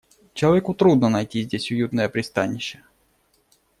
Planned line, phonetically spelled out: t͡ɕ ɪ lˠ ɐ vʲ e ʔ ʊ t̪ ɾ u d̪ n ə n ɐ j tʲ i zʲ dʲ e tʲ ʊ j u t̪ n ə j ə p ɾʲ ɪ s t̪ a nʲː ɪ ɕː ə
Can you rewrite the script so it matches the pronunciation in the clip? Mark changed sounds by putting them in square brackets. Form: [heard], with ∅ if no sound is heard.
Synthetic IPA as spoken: t͡ɕ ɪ lˠ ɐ vʲ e [k] ʊ t̪ ɾ u d̪ n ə n ɐ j tʲ i zʲ dʲ e [sʲ] ʊ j u t̪ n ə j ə p ɾʲ ɪ s t̪ a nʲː ɪ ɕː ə

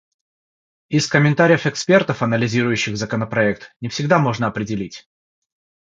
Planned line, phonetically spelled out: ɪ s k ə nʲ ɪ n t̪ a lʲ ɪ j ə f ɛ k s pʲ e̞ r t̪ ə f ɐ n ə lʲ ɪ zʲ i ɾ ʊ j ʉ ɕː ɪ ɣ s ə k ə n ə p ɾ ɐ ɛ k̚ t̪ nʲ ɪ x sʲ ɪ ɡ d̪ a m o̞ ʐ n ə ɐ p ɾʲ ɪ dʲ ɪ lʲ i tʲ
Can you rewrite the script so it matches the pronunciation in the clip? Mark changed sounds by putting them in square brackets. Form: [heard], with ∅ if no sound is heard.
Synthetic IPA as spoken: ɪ s k ə [mʲ] ɪ n t̪ a [ɾʲ] ɪ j ə f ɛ k s pʲ e̞ r t̪ ə f ɐ n ə lʲ ɪ zʲ i ɾ ʊ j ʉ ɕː ɪ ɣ [z] ə k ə n ə p ɾ ɐ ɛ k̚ t̪ nʲ ɪ [f] sʲ ɪ ɡ d̪ a m o̞ ʐ n ə ɐ p ɾʲ ɪ dʲ ɪ lʲ i tʲ

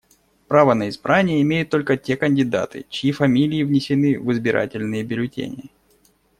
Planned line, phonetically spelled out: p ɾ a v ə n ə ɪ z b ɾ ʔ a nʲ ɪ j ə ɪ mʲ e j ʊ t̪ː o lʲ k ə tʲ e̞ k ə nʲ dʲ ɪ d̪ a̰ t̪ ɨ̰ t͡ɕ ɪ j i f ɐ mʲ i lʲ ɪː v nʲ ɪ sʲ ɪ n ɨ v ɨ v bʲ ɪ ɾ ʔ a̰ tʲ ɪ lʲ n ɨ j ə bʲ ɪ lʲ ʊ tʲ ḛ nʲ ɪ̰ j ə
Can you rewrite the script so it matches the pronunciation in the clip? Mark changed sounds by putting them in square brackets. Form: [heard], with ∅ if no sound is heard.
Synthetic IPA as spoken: p ɾ a v ə n ə ɪ z b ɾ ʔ a nʲ ɪ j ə ɪ mʲ e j ʊ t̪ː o lʲ k ə tʲ e̞ k ə nʲ dʲ ɪ d̪ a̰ t̪ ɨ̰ t͡ɕ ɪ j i f ɐ mʲ i lʲ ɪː v nʲ ɪ sʲ ɪ n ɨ v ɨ [z] bʲ ɪ ɾ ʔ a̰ tʲ ɪ lʲ n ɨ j ə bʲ ɪ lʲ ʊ tʲ ḛ nʲ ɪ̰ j ə

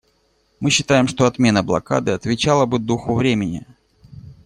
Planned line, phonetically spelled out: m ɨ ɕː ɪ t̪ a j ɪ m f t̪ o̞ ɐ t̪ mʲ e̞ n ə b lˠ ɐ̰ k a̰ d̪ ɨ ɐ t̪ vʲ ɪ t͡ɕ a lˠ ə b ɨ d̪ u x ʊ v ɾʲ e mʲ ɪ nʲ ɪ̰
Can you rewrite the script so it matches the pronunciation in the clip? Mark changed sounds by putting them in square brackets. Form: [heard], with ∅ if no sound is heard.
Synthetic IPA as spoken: m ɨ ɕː ɪ t̪ a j ɪ m [ʂ] t̪ o̞ ɐ t̪ mʲ e̞ n ə b lˠ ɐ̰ k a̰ d̪ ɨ ɐ t̪ vʲ ɪ t͡ɕ a lˠ ə b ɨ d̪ u x ʊ v ɾʲ e mʲ ɪ nʲ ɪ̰

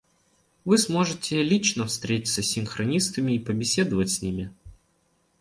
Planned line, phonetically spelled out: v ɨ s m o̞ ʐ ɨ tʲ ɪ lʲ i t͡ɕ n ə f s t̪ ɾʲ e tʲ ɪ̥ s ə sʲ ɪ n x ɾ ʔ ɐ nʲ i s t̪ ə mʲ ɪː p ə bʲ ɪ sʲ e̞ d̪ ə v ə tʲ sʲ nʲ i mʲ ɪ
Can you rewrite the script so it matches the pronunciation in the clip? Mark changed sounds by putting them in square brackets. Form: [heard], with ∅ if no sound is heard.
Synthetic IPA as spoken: v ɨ s m o̞ ʐ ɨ tʲ ɪ lʲ i t͡ɕ n ə f s t̪ ɾʲ e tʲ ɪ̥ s ə sʲ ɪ n x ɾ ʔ ɐ nʲ i s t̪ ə mʲ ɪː p ə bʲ ɪ sʲ e̞ d̪ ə v ə tʲ sʲ nʲ i mʲ ɪ

